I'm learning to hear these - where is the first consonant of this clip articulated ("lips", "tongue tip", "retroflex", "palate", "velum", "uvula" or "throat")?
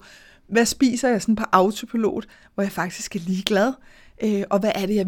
lips